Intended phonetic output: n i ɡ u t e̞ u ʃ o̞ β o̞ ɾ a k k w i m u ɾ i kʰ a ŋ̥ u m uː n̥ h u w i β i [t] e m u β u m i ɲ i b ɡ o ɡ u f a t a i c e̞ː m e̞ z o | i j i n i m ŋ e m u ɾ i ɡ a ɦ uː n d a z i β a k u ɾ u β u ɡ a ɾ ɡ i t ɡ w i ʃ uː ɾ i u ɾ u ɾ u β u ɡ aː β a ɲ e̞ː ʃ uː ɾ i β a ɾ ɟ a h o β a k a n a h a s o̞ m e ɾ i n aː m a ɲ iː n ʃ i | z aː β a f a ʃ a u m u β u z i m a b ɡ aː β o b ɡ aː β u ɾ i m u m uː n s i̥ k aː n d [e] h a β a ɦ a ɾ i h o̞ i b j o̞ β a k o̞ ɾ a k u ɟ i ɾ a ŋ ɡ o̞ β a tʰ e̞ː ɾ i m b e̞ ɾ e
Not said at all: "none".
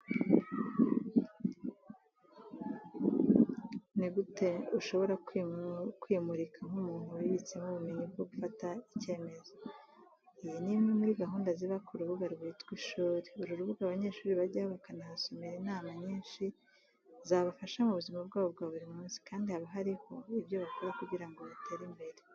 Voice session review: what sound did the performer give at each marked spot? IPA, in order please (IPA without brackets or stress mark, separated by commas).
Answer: t͡s, i